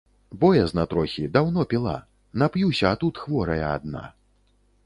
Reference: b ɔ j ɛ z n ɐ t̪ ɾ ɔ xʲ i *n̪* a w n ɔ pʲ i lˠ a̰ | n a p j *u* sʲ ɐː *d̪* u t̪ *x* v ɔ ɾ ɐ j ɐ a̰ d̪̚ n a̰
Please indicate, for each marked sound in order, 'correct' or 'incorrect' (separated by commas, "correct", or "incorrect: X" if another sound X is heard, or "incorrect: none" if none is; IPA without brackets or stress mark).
incorrect: d̪, correct, incorrect: t̪, correct